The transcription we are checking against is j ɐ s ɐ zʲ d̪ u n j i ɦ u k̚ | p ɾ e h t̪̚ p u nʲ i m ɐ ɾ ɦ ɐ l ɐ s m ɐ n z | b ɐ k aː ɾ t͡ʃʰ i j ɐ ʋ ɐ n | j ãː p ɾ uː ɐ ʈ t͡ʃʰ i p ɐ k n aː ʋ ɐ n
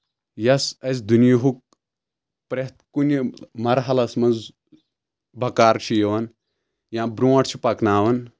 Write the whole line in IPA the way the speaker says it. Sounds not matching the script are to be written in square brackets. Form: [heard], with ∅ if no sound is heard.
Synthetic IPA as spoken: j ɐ s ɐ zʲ d̪ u n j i ɦ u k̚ | p ɾ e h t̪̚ [k] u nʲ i m ɐ ɾ ɦ ɐ l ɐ s m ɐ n z | b ɐ k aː ɾ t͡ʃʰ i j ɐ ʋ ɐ n | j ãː [b] ɾ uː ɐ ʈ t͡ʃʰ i p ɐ k n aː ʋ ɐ n